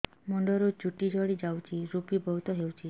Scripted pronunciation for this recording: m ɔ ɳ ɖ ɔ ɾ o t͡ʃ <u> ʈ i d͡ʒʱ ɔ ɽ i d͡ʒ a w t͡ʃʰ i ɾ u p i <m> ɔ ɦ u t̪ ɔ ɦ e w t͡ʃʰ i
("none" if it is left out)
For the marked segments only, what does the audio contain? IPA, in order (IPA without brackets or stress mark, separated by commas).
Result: u, b